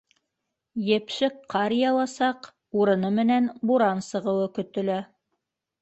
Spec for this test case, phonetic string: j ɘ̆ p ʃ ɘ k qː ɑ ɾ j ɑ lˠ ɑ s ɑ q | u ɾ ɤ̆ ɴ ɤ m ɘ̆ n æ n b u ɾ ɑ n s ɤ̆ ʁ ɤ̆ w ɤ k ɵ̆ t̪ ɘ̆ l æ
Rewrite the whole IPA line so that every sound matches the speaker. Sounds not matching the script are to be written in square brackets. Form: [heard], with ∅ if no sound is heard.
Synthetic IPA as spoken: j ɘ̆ p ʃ ɘ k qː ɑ ɾ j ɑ lˠ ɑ s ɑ q | u ɾ ɤ̆ [n] ɤ m ɘ̆ n æ n b u ɾ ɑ n s ɤ̆ ʁ ɤ̆ w ɤ k ɵ̆ t̪ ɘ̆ l æ